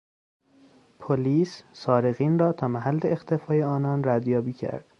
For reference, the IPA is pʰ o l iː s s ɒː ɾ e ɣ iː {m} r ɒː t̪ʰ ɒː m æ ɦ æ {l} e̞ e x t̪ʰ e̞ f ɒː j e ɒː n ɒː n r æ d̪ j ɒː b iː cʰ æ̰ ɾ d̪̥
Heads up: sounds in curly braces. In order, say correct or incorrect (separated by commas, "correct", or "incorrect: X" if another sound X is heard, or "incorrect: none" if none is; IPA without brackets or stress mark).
incorrect: n, incorrect: lː